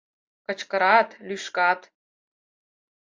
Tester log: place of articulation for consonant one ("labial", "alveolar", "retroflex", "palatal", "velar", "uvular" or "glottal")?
velar